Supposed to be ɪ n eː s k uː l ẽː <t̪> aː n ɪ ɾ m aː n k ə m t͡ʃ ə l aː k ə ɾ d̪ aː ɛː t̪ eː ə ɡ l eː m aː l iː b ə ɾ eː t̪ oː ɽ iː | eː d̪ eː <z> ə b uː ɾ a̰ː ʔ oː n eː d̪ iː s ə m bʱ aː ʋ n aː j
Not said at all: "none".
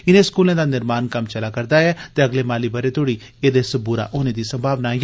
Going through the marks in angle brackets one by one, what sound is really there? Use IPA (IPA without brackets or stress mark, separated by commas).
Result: d̪, s